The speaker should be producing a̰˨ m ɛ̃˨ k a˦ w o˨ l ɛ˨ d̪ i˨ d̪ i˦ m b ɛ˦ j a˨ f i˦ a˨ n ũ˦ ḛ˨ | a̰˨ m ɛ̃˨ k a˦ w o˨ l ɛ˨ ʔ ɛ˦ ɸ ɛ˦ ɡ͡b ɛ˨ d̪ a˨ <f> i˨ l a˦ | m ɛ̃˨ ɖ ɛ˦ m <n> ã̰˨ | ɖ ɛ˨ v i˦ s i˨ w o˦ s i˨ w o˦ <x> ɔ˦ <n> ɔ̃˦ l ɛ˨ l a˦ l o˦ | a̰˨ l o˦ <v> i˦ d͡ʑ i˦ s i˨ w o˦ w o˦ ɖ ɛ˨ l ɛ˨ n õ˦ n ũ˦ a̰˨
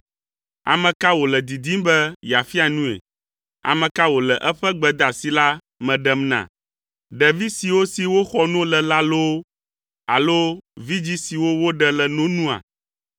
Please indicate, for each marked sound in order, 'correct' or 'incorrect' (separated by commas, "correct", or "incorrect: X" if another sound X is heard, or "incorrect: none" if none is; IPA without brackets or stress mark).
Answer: incorrect: s, correct, correct, correct, correct